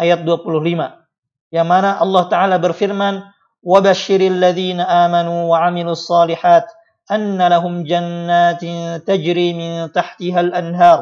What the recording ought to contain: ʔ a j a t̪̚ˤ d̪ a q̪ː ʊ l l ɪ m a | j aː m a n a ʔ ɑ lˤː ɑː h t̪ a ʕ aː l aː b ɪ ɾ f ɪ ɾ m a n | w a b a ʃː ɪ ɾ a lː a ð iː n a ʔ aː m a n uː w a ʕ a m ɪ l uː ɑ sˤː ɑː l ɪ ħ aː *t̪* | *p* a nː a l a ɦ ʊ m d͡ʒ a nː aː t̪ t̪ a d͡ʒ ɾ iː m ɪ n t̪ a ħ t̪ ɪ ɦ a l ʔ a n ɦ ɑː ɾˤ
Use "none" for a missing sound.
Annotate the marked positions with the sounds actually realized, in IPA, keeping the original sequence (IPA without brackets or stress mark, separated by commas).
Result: t̪, ʔ